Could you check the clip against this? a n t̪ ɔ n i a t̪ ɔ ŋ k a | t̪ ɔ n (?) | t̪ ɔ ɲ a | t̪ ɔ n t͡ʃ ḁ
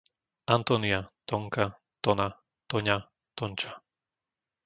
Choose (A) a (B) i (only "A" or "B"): A